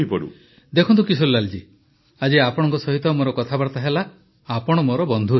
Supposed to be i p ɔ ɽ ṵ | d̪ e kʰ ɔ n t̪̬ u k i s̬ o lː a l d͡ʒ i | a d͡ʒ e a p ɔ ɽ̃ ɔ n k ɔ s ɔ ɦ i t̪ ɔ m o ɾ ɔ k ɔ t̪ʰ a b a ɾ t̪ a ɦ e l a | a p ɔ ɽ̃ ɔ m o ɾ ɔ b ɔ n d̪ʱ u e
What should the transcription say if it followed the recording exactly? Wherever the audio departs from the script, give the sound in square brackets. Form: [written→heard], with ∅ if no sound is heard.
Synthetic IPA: i p ɔ ɽ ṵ | d̪ e kʰ ɔ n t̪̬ u k i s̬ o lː a l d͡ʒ i | a d͡ʒ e a p ɔ ɽ̃ ɔ [n→ŋ] k ɔ s ɔ ɦ i t̪ ɔ m o ɾ ɔ k ɔ t̪ʰ a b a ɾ t̪ a ɦ e l a | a p ɔ ɽ̃ ɔ m o ɾ ɔ b ɔ n d̪ʱ u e